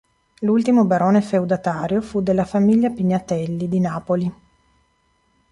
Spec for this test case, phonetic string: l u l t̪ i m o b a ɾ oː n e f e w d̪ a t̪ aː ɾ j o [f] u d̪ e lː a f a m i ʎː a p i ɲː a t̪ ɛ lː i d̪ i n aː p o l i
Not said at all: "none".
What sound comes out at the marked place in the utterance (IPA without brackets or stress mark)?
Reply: f